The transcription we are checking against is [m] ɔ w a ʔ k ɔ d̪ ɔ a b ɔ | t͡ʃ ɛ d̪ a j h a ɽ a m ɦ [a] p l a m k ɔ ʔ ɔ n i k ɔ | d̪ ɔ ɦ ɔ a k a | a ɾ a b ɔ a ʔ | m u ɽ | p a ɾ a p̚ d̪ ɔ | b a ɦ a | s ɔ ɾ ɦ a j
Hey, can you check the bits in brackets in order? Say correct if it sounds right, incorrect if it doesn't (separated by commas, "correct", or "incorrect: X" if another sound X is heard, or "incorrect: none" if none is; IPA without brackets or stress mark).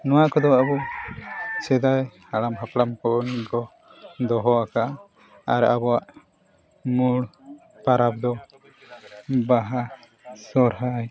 incorrect: n, correct